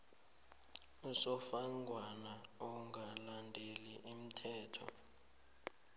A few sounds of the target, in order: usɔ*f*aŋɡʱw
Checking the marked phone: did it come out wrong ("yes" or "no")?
no